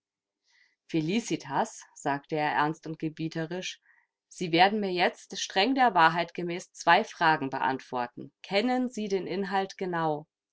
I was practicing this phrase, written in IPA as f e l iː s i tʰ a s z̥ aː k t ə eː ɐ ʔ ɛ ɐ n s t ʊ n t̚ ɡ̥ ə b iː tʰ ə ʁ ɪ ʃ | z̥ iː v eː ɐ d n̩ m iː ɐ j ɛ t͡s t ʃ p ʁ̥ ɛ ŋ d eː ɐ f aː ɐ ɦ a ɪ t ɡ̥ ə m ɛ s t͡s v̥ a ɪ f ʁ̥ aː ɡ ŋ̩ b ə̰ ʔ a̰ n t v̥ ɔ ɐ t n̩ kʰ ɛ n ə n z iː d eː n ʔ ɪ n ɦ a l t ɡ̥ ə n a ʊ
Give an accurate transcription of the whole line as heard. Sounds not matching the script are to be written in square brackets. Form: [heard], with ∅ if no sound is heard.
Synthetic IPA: f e l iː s i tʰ a s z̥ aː k t ə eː ɐ ʔ ɛ ɐ n s t ʊ n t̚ ɡ̥ ə b iː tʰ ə ʁ ɪ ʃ | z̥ iː v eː ɐ d n̩ m iː ɐ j ɛ t͡s t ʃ [t] ʁ̥ ɛ ŋ d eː ɐ [v] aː ɐ ɦ a ɪ t ɡ̥ ə m [ɛː] s t͡s v̥ a ɪ f ʁ̥ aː ɡ ŋ̩ b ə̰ ʔ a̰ n t v̥ ɔ ɐ t n̩ kʰ ɛ n ə n z iː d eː n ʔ ɪ n ɦ a l t ɡ̥ ə n a ʊ